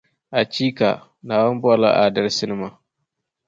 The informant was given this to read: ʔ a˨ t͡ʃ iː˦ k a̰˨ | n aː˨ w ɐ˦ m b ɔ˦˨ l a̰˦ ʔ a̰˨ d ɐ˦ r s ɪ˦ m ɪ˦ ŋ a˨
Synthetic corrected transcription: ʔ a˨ t͡ʃ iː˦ k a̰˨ | n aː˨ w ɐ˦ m b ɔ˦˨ l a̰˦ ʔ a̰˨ d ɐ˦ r s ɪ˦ n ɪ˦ m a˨